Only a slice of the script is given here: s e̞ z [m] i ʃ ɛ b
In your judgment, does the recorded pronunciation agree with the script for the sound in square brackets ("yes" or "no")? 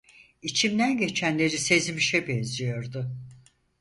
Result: yes